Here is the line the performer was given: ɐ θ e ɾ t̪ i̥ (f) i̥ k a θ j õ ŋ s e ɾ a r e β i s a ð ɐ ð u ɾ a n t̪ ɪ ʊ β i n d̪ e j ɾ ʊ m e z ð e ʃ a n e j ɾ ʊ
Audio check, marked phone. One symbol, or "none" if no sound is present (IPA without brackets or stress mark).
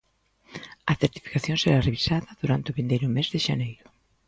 f